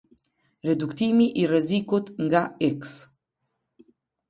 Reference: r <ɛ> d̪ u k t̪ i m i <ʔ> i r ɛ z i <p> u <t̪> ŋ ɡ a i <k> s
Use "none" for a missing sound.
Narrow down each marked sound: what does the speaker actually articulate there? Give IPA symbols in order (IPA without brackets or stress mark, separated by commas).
ɛ, ʔ, k, t̪, k